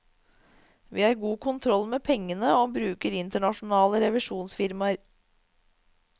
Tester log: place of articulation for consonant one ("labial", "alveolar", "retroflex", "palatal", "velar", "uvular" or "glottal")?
labial